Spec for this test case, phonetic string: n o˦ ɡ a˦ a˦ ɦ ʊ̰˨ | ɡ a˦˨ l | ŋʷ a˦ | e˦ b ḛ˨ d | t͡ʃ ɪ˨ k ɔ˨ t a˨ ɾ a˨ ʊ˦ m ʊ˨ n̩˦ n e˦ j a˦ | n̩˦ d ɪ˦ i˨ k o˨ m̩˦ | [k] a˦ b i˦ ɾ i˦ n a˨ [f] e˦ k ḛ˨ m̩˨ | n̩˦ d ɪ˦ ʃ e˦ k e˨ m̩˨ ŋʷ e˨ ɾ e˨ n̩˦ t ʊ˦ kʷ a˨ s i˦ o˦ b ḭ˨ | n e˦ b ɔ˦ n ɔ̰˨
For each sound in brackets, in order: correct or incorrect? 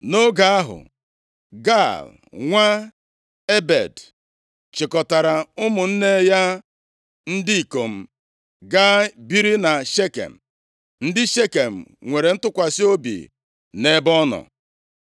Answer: incorrect: ɡ, incorrect: ʃ

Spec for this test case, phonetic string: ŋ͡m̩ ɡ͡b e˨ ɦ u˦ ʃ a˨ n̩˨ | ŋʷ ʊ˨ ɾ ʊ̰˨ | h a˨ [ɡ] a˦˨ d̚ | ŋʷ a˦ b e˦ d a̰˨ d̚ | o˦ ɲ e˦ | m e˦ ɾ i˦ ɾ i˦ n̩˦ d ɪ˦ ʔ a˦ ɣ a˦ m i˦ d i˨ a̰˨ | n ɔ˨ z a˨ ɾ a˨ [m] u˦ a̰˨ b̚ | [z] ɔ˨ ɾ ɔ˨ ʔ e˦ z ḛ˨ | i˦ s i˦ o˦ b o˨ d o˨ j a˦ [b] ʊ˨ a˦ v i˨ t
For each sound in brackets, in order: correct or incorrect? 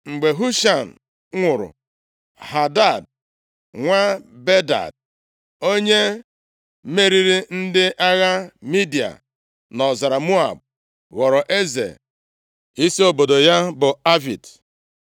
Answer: incorrect: d, correct, incorrect: ɣ, correct

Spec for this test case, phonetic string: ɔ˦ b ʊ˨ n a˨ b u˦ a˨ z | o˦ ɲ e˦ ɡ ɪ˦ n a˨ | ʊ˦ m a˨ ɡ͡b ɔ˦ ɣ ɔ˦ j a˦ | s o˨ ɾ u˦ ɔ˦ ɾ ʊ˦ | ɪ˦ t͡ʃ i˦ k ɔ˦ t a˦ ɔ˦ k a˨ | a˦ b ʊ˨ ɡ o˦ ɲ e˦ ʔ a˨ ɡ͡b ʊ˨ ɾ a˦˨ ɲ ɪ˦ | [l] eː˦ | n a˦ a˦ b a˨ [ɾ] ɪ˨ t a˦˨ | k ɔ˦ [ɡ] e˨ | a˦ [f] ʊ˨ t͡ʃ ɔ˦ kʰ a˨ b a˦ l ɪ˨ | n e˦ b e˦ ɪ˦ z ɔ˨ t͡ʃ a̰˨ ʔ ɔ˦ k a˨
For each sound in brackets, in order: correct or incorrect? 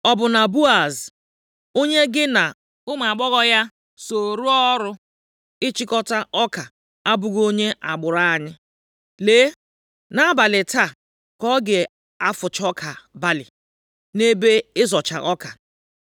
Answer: correct, incorrect: l, correct, correct

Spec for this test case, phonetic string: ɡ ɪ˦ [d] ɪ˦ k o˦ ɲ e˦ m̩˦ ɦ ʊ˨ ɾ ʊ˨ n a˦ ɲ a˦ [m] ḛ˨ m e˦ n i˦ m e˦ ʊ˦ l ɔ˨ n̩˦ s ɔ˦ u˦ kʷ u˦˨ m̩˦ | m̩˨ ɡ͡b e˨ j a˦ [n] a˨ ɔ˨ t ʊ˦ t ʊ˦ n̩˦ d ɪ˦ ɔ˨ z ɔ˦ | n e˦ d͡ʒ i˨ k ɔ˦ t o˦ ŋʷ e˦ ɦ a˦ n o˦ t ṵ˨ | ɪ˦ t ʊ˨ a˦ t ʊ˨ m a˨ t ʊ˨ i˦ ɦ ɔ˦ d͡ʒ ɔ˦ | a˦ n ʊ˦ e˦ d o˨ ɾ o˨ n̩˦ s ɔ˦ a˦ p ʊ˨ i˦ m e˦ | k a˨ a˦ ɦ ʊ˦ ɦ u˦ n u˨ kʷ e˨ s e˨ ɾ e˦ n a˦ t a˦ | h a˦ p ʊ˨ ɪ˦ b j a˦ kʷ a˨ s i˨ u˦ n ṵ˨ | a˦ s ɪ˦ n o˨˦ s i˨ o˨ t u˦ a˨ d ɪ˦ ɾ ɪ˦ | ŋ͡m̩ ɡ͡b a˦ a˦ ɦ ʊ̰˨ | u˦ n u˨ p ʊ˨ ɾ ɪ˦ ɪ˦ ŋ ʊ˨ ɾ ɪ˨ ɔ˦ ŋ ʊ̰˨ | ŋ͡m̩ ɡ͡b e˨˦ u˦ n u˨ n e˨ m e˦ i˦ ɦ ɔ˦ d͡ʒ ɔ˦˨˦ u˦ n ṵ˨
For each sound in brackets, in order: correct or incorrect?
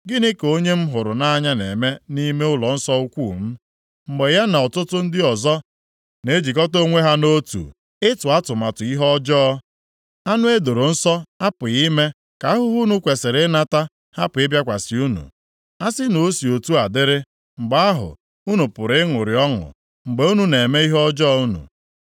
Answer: incorrect: n, incorrect: n, correct

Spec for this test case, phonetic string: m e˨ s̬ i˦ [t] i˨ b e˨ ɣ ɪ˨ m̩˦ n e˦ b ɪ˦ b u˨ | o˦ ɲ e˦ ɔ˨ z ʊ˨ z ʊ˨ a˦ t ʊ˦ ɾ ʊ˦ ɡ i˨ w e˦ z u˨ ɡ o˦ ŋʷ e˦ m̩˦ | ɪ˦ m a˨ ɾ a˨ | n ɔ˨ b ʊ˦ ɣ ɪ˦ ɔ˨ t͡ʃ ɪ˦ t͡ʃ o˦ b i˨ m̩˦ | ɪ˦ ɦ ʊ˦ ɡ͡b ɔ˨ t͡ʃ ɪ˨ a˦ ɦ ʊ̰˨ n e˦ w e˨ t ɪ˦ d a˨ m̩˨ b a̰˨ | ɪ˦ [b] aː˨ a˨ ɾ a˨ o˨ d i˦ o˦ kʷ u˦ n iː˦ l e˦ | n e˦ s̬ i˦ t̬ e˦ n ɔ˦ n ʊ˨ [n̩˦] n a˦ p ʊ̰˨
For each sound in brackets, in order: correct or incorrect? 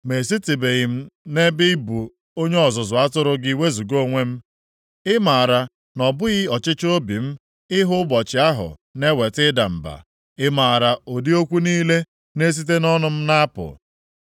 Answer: correct, incorrect: m, incorrect: m̩˦

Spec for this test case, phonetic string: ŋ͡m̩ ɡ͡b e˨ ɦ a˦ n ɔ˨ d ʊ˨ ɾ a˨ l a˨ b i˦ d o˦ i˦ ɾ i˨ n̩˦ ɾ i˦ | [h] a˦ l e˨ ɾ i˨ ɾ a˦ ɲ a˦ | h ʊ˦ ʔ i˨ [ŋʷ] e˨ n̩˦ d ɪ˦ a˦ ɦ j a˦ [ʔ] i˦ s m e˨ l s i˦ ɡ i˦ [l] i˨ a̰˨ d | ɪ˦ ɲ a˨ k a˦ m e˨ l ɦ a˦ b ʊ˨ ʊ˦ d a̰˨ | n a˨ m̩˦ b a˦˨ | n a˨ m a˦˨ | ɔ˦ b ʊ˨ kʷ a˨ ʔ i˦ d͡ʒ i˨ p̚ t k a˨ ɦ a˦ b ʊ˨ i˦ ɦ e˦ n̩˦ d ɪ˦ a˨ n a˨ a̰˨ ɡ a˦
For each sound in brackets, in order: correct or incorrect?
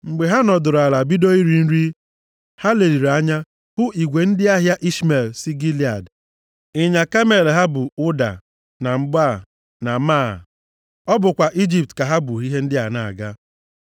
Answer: correct, incorrect: ɡʷ, correct, correct

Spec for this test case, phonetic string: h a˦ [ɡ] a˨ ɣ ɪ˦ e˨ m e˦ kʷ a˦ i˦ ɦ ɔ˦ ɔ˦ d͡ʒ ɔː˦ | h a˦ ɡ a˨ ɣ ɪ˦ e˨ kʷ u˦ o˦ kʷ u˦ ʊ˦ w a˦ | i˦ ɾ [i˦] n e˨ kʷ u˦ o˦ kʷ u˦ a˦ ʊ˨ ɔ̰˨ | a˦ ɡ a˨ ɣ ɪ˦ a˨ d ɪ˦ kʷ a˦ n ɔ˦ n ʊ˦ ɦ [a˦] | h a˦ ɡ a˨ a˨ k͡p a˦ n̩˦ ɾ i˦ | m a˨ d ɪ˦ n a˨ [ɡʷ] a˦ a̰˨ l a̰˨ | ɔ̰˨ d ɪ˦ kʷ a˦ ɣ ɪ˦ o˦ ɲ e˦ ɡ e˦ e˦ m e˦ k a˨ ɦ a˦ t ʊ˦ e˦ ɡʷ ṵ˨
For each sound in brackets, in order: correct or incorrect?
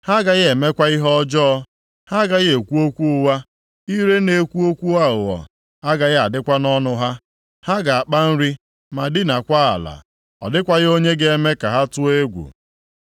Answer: correct, incorrect: e˦, correct, incorrect: kʷ

